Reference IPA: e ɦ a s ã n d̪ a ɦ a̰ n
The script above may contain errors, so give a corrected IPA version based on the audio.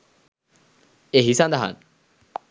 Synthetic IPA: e ɦ i s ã n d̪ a ɦ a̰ n